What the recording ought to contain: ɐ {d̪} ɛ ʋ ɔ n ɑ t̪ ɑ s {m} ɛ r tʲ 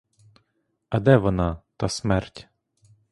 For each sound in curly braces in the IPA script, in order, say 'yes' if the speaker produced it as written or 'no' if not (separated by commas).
yes, yes